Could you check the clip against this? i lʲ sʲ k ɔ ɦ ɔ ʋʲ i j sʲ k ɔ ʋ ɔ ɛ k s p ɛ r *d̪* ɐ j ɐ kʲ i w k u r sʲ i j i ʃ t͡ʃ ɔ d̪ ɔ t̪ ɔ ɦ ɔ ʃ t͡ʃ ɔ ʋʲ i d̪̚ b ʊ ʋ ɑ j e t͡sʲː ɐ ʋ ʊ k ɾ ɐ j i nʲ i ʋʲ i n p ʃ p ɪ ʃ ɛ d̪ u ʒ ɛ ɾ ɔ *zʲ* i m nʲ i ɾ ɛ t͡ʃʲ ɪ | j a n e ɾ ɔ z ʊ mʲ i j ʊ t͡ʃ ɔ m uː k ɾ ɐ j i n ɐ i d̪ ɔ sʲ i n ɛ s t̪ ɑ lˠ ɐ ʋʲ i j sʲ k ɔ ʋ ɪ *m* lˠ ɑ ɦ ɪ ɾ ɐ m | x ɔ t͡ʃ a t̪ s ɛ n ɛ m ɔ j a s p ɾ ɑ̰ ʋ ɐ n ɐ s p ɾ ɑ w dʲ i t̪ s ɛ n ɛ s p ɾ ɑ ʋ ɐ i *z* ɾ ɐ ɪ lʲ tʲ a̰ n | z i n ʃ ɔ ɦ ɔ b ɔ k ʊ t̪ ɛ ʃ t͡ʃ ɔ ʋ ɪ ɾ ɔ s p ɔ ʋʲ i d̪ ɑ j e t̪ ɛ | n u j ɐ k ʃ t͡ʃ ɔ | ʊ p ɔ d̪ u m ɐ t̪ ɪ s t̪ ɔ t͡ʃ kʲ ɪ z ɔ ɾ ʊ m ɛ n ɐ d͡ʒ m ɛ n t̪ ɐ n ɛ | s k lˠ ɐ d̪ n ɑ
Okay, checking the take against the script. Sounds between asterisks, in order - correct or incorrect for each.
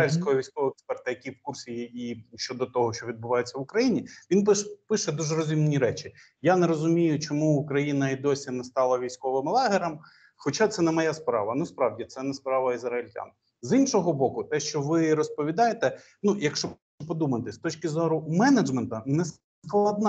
incorrect, correct, correct, correct

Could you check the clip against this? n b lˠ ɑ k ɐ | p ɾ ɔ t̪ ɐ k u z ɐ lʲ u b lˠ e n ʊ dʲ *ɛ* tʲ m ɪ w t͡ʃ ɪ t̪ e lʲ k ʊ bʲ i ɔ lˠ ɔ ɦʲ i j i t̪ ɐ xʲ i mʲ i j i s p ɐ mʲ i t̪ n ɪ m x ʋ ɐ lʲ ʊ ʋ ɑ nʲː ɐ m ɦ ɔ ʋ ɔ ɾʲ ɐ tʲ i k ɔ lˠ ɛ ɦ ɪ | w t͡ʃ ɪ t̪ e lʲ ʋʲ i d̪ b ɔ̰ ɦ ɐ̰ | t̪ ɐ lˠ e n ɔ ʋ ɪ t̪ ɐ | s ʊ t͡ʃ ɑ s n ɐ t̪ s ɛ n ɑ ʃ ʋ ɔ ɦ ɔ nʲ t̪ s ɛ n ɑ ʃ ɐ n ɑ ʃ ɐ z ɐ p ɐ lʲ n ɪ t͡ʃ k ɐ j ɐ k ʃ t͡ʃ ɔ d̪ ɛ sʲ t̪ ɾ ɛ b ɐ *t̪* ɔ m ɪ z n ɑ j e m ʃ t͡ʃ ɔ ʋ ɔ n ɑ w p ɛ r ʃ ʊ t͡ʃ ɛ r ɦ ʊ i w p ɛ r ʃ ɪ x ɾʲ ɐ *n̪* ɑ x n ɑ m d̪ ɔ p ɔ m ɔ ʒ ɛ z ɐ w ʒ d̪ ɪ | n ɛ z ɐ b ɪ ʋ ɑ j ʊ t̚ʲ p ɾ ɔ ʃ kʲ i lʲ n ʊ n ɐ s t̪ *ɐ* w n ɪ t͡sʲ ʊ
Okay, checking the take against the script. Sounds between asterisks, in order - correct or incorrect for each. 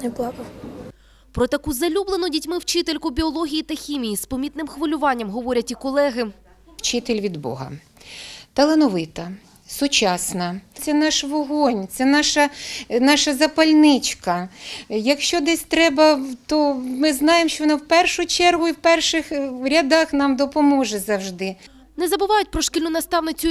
incorrect, correct, incorrect, incorrect

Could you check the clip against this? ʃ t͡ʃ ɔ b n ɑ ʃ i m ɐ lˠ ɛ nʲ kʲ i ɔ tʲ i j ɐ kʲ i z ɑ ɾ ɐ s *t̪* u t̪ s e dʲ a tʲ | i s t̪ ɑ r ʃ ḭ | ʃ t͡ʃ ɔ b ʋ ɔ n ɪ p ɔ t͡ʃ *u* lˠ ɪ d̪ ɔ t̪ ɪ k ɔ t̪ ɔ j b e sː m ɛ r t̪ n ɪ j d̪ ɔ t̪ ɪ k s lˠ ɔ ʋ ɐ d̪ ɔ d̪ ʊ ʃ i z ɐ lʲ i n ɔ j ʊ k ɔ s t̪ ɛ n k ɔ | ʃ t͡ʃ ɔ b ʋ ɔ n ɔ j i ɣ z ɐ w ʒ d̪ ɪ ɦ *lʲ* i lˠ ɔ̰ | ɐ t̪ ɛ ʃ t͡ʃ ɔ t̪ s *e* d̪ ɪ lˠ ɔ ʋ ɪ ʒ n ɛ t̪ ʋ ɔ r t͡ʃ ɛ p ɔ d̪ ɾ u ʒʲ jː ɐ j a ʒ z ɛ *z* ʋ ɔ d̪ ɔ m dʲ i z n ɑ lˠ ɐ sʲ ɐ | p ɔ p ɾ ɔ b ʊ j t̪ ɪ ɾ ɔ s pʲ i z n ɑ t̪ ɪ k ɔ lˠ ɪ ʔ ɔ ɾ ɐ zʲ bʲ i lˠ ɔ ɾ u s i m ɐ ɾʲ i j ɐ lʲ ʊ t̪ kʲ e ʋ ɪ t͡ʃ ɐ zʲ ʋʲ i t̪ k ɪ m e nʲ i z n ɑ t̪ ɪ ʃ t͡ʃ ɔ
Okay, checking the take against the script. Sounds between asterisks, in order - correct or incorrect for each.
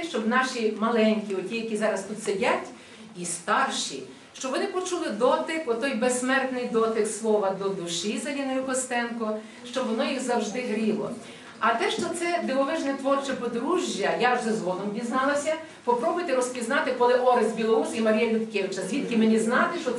correct, correct, incorrect, incorrect, correct

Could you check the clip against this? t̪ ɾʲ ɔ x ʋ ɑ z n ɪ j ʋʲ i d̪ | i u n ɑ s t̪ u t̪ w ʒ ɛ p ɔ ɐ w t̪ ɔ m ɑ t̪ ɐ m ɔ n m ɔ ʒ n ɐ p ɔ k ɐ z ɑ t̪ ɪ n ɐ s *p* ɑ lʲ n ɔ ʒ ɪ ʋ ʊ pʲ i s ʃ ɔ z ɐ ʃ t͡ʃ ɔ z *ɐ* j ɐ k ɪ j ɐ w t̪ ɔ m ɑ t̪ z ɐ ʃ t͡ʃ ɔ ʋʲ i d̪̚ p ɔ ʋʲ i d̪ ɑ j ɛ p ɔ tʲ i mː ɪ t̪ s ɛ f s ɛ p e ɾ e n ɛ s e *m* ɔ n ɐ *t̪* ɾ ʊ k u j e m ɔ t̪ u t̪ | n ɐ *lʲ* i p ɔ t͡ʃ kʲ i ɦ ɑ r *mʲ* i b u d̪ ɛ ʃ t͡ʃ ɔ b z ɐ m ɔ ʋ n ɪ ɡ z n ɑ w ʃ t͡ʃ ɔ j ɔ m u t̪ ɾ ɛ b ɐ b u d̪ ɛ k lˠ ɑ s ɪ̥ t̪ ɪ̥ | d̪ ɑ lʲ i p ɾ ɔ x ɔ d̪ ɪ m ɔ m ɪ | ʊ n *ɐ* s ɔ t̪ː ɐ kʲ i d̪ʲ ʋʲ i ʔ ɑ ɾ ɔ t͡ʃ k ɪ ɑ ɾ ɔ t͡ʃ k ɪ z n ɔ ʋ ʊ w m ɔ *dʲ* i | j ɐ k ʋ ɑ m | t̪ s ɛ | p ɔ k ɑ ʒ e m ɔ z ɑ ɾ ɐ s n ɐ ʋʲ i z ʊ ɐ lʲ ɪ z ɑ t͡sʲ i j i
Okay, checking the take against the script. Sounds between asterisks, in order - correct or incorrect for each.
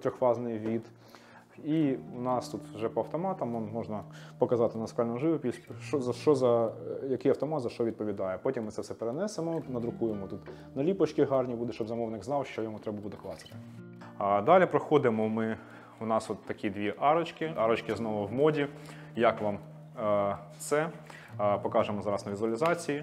incorrect, correct, correct, incorrect, correct, incorrect, incorrect, correct

